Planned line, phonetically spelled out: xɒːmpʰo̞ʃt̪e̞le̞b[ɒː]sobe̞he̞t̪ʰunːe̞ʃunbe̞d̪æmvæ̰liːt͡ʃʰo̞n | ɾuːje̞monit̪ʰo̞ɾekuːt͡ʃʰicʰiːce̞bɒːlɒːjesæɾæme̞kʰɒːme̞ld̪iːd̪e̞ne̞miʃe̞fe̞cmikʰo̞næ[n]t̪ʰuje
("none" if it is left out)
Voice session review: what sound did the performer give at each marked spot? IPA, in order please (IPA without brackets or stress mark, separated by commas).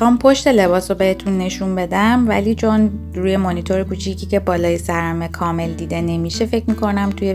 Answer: ɒː, m